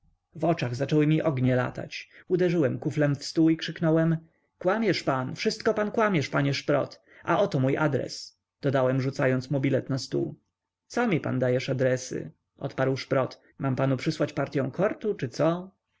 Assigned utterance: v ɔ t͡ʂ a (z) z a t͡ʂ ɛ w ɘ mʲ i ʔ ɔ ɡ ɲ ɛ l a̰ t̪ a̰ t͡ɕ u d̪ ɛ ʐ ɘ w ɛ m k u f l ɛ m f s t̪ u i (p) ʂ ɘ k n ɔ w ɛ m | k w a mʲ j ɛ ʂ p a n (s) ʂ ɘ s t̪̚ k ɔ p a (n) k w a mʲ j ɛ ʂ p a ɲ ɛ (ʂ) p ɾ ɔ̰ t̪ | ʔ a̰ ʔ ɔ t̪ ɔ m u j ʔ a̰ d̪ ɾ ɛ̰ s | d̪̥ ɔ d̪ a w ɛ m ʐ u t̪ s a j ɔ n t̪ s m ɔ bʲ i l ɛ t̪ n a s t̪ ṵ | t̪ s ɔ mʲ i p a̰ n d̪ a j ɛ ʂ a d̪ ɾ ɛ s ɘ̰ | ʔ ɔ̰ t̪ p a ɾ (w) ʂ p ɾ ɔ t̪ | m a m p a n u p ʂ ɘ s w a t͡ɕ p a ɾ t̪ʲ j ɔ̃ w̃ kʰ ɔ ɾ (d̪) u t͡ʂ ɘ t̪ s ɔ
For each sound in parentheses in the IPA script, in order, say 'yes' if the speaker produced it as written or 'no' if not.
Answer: no, no, no, yes, yes, yes, no

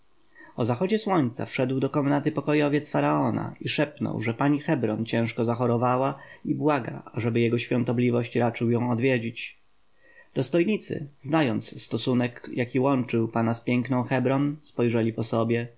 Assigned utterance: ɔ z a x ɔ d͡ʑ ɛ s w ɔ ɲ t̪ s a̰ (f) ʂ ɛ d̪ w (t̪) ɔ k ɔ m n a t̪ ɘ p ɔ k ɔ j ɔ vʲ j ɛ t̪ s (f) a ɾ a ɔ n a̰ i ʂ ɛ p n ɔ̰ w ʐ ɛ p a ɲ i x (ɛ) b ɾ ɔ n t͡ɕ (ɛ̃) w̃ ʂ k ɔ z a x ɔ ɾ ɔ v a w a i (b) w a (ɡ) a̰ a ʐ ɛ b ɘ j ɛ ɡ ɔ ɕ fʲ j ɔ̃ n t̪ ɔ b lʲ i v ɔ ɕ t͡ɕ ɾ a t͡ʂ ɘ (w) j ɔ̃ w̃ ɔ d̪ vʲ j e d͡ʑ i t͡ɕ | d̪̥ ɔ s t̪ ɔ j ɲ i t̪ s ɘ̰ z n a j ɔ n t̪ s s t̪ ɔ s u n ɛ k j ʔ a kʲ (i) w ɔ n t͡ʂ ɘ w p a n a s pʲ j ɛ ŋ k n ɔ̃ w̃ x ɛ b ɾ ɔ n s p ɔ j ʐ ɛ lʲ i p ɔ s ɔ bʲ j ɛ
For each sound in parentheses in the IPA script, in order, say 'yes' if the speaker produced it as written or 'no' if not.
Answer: yes, no, yes, yes, yes, yes, yes, yes, yes

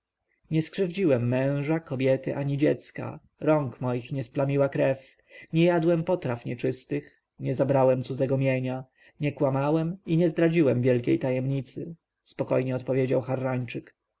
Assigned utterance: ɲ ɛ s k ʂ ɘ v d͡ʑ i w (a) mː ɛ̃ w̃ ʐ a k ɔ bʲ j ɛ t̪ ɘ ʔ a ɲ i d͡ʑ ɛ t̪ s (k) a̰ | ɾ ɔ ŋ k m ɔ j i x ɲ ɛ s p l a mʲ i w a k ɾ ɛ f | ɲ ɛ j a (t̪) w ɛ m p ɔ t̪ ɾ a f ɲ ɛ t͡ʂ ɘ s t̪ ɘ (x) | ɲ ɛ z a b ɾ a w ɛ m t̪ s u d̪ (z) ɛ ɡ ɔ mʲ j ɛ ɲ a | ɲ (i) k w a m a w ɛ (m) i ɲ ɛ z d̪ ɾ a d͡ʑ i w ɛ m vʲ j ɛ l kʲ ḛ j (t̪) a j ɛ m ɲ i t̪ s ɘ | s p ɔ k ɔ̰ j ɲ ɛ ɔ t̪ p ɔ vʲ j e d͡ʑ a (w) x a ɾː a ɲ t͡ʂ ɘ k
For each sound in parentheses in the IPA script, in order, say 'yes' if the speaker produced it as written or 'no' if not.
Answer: no, yes, no, yes, yes, no, yes, yes, yes

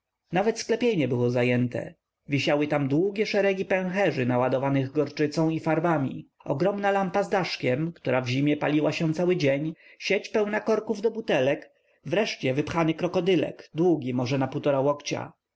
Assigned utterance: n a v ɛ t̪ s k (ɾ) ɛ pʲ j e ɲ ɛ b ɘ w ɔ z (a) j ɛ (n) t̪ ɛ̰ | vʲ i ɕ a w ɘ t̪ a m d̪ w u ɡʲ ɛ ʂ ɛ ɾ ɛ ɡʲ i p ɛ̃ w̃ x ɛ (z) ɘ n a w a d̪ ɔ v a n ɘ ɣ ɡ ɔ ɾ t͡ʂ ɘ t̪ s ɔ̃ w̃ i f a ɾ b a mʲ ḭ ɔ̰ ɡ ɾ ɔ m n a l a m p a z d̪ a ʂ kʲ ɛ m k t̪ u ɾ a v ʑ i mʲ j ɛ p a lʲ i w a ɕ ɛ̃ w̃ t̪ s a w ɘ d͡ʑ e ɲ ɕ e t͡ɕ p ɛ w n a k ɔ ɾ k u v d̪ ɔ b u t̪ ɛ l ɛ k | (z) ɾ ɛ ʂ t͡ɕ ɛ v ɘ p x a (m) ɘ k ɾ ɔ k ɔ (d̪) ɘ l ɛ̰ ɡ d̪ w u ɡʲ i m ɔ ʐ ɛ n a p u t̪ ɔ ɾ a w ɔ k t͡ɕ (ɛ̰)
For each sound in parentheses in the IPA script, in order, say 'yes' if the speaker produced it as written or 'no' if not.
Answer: no, yes, yes, no, no, no, yes, no

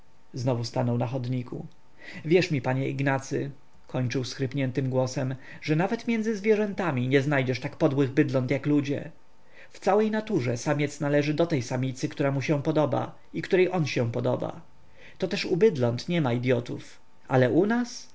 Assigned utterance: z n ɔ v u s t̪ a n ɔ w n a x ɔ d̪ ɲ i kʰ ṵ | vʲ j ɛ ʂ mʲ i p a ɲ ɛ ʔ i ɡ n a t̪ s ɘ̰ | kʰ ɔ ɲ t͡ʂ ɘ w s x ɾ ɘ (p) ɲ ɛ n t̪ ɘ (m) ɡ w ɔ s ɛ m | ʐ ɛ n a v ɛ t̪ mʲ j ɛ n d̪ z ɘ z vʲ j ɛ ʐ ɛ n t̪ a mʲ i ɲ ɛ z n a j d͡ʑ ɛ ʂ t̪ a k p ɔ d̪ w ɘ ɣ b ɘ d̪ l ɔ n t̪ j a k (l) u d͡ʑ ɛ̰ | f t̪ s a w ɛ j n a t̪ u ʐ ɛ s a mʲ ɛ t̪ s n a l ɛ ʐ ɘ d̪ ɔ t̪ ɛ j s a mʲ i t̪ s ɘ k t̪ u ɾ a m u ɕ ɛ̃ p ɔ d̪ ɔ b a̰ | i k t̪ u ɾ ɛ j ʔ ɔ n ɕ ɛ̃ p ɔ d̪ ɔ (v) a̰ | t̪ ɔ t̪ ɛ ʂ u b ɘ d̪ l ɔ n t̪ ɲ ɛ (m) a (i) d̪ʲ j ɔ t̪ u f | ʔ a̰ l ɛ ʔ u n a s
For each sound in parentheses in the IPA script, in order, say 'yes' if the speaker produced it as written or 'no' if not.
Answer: yes, yes, yes, no, yes, yes

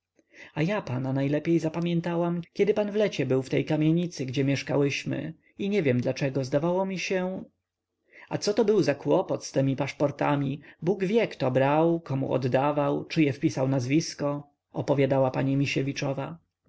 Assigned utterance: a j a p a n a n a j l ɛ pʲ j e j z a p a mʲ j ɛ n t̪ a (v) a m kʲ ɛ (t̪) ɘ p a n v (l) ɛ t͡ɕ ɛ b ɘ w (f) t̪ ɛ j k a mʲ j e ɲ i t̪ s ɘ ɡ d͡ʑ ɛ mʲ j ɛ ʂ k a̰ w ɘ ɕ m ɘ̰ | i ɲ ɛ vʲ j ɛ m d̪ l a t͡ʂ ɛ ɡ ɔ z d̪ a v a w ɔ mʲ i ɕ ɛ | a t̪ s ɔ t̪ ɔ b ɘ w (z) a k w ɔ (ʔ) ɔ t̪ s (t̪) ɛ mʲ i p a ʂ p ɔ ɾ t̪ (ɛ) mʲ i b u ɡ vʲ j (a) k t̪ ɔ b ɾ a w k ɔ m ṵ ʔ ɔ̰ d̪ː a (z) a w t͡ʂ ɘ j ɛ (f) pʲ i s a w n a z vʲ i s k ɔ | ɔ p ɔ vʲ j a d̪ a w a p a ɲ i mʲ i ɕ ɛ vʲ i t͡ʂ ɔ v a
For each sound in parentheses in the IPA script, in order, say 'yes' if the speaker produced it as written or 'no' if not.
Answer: no, no, yes, yes, yes, no, yes, no, no, no, yes

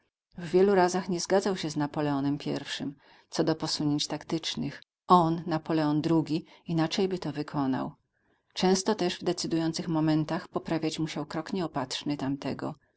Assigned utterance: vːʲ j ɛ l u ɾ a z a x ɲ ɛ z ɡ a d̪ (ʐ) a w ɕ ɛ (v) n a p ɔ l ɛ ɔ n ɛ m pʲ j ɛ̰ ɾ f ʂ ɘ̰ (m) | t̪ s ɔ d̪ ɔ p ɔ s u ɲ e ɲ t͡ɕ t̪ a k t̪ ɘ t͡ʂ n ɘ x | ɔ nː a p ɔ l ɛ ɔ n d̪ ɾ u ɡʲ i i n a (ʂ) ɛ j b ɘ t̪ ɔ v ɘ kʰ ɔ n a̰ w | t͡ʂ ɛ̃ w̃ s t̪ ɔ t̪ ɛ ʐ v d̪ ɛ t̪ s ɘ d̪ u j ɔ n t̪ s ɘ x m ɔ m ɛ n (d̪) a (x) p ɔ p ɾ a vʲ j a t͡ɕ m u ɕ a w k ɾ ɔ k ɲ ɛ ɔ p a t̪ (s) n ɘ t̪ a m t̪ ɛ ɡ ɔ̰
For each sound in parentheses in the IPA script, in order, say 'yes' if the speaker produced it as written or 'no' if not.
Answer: no, no, yes, no, no, yes, no

